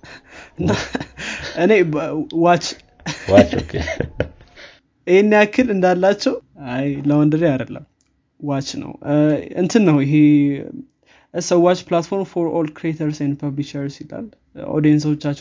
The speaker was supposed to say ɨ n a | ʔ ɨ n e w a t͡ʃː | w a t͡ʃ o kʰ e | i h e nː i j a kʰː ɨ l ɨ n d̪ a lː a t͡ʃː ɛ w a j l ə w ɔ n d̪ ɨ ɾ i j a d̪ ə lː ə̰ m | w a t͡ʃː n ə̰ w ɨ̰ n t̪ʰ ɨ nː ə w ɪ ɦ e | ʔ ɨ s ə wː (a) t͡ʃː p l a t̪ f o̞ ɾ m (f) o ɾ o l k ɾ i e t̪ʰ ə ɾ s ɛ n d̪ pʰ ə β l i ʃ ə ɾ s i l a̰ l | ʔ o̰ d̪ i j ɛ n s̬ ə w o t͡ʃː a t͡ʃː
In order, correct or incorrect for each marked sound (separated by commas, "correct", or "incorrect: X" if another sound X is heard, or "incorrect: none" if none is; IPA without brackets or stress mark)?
correct, correct